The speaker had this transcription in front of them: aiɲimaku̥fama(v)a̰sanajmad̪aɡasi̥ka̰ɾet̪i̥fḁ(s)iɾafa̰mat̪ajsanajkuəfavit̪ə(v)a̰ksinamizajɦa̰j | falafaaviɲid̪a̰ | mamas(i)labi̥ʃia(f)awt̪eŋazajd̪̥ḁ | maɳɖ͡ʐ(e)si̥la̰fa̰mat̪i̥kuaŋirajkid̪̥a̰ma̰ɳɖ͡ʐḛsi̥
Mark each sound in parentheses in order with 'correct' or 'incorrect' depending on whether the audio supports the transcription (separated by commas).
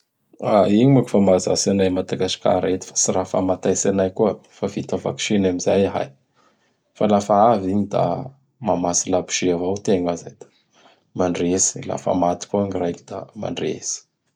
incorrect, correct, correct, correct, incorrect, correct